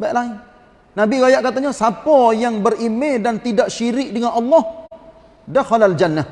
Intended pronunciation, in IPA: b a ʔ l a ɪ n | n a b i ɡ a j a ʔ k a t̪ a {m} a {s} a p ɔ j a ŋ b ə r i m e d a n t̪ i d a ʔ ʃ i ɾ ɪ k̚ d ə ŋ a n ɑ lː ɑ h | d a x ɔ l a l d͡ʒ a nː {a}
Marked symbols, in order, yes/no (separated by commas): no, yes, yes